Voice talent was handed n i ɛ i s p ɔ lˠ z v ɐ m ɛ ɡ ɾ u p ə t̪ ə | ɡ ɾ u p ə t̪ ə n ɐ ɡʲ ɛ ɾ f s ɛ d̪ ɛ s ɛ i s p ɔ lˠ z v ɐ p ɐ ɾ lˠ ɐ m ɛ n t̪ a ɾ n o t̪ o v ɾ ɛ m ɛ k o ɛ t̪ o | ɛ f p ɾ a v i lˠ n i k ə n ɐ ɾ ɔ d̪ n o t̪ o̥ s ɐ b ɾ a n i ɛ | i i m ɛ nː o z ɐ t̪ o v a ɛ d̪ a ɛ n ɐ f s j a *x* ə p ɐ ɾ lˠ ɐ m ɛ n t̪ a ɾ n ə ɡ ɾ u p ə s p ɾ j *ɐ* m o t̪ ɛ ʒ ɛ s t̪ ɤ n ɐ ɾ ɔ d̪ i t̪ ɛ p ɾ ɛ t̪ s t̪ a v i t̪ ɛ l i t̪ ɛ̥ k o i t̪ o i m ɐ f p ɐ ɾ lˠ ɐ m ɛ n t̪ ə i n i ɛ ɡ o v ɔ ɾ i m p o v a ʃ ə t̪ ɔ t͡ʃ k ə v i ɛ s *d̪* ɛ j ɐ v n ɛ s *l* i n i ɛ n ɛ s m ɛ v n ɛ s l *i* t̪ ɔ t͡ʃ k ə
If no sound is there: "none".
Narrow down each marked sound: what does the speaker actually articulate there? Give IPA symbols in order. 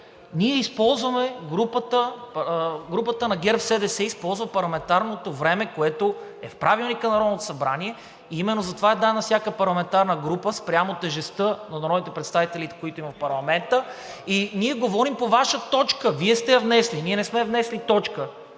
k, a, t̪, l, i

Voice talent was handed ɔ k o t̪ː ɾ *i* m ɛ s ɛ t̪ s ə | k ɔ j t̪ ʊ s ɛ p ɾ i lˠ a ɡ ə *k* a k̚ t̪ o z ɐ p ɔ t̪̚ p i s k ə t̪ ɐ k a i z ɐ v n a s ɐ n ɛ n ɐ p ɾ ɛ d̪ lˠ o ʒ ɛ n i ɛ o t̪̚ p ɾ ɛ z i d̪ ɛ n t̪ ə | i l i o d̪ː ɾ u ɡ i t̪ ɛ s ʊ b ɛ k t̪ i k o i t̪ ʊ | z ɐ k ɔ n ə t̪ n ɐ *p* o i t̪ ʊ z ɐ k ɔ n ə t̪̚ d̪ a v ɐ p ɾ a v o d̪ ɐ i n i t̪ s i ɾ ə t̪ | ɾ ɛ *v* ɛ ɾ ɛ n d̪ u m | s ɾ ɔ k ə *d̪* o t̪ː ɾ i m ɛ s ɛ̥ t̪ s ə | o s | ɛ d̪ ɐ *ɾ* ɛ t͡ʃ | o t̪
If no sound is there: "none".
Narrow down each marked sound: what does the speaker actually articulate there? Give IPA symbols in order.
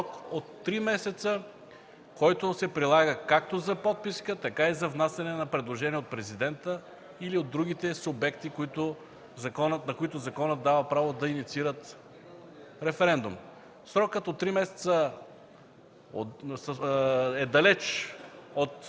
i, k, k, f, t̪, l

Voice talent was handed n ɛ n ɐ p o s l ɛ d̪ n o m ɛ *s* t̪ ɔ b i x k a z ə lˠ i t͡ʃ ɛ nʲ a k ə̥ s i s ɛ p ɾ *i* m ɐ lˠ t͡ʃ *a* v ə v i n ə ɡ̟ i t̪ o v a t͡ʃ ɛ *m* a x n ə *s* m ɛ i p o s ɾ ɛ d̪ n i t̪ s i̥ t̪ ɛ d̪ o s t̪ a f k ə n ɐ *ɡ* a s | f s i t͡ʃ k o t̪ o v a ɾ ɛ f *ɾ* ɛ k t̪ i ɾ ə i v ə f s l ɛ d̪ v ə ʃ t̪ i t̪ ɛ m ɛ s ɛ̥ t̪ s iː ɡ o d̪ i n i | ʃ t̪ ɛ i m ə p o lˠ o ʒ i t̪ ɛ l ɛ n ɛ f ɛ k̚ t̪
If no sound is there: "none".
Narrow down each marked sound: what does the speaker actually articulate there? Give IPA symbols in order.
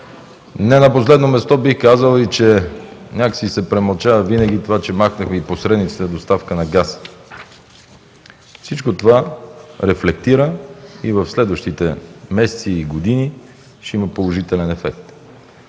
s, ɛ, a, m, x, ɡ, l

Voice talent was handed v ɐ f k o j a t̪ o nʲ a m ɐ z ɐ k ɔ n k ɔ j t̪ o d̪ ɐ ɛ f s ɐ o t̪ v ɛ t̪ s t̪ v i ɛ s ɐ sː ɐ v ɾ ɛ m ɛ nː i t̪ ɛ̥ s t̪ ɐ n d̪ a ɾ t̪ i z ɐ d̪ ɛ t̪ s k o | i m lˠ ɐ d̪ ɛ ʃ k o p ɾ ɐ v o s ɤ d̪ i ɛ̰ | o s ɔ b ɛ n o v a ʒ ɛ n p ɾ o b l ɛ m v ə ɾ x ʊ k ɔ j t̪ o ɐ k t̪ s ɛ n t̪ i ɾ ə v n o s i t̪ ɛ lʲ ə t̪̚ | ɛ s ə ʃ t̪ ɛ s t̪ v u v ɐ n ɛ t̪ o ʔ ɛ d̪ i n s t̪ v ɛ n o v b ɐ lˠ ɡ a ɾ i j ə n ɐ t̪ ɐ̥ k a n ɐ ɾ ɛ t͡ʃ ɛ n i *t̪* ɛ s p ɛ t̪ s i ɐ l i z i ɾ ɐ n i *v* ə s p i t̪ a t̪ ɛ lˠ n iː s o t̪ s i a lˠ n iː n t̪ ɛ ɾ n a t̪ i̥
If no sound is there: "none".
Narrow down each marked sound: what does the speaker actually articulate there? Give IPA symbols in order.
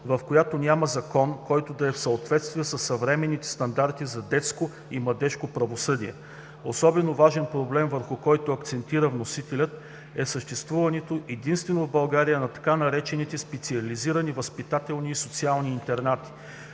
t̪, v

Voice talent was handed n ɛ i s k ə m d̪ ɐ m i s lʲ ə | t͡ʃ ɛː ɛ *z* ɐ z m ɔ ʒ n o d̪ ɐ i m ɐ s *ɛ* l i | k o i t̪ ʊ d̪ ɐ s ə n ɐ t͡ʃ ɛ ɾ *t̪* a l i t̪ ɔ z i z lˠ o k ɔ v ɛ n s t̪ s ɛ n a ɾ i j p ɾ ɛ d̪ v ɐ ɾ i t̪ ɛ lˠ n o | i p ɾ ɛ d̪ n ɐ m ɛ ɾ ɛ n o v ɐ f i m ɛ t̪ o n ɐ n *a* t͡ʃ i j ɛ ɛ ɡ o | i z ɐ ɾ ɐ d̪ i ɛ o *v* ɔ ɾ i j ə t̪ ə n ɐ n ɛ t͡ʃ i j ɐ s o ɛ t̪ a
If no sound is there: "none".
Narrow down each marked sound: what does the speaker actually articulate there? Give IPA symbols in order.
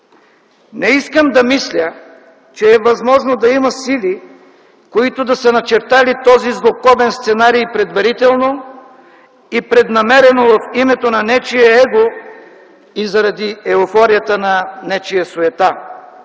v, i, t̪, ɛ, f

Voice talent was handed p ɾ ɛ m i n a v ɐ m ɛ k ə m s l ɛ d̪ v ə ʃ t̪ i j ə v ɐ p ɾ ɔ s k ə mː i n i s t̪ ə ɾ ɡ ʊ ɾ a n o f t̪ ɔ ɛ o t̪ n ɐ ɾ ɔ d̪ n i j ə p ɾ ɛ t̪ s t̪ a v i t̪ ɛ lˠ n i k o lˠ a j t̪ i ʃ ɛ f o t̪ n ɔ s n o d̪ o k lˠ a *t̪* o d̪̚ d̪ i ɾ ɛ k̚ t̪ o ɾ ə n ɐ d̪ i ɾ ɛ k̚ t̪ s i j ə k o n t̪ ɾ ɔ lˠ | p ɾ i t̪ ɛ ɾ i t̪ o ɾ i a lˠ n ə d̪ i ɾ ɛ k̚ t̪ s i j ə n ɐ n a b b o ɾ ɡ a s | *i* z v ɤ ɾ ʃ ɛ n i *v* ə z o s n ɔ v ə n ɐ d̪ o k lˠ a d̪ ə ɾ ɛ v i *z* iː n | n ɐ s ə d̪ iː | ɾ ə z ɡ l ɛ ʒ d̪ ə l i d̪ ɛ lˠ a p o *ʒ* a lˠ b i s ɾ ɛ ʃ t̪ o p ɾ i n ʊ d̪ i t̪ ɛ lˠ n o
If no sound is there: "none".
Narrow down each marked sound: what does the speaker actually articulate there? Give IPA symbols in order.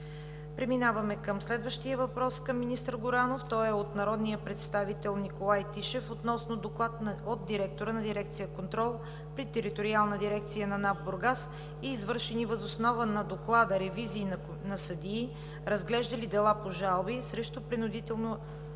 t̪, iː, v, z, ʒ

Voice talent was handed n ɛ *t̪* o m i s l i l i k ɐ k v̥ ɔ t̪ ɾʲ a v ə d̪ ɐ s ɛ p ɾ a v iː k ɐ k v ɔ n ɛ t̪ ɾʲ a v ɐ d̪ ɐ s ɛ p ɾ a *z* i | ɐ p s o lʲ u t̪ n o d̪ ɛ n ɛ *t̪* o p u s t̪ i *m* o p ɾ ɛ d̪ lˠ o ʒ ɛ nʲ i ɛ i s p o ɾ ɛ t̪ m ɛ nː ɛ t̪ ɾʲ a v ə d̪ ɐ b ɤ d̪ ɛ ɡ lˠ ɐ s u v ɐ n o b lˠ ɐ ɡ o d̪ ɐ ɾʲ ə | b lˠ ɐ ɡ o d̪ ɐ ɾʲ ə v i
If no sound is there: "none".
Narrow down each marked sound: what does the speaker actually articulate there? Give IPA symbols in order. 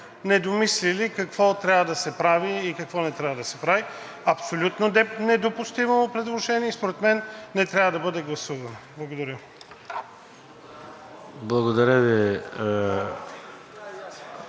d̪, v, d̪, m

